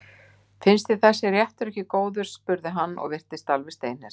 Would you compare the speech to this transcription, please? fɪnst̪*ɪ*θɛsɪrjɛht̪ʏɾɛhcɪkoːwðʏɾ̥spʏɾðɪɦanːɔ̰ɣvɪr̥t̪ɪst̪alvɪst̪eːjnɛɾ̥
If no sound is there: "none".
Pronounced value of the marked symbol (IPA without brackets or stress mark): ɪ